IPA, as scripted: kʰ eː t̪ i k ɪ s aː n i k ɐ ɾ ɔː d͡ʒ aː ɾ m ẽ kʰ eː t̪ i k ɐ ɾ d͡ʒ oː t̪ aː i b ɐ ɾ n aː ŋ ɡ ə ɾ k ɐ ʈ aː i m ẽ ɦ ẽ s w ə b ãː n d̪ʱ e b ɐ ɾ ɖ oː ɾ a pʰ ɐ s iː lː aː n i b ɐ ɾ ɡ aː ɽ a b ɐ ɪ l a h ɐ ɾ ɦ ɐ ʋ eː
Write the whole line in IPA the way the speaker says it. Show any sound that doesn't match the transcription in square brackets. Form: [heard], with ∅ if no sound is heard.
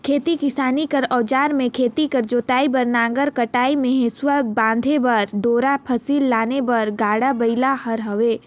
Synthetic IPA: kʰ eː t̪ i k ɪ s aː n i k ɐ ɾ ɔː d͡ʒ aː ɾ m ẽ kʰ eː t̪ i k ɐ ɾ d͡ʒ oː t̪ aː i b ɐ ɾ n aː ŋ ɡ ə ɾ k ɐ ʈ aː i m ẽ ɦ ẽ s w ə b ãː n d̪ʱ e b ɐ ɾ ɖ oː ɾ a pʰ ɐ s iː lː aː n [e] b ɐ ɾ ɡ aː ɽ a b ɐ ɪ l a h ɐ ɾ ɦ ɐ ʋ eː